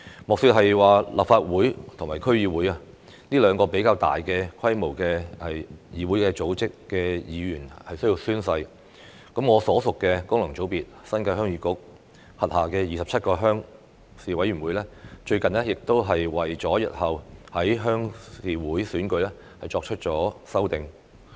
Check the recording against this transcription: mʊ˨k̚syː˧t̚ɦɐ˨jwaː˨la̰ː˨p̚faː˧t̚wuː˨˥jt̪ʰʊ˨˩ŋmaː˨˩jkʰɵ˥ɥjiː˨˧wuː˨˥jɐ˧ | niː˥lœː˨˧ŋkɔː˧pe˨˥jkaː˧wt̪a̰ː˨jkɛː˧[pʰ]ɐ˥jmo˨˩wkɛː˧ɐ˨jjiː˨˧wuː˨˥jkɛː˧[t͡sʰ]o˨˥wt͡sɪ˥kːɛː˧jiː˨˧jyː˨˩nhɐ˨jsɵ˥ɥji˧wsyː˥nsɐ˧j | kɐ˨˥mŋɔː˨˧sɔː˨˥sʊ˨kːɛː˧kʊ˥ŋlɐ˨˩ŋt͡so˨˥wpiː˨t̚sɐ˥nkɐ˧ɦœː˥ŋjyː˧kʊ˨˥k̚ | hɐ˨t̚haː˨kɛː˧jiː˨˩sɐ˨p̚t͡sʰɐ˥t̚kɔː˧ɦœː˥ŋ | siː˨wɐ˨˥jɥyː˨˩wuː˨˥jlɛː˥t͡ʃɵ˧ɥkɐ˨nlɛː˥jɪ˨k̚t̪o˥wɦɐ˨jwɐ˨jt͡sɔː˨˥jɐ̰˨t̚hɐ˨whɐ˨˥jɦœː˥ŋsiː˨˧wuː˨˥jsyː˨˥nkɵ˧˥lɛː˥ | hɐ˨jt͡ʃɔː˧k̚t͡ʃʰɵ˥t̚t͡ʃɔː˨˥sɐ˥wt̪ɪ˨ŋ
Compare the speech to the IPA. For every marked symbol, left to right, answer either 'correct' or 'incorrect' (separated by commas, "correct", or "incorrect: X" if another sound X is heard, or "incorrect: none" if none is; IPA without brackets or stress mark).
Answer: incorrect: kʰ, incorrect: t͡s